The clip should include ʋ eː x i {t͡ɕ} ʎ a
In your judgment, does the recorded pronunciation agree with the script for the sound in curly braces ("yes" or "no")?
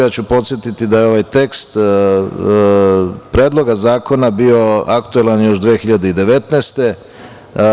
no